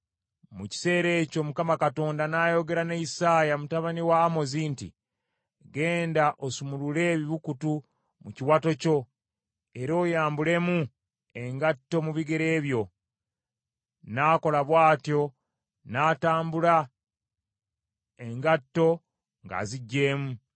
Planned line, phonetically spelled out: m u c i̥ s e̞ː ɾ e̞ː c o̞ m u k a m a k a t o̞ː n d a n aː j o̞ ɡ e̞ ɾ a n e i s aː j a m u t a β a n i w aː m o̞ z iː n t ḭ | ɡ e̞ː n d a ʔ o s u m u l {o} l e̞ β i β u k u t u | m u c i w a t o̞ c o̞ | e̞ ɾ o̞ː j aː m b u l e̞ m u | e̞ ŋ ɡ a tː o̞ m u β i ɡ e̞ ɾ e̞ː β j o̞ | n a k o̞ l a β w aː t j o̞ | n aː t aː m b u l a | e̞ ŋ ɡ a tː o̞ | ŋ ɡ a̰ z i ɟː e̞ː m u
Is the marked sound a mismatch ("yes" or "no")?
yes